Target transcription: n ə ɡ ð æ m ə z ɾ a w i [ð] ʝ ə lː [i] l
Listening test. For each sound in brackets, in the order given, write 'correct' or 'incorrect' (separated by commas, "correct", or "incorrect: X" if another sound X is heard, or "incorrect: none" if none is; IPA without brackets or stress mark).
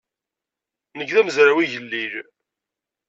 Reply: incorrect: none, correct